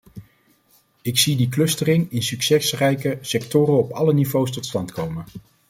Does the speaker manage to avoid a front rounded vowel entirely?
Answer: no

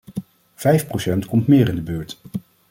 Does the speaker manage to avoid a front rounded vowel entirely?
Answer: no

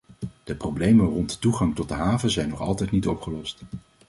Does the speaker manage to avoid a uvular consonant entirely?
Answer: no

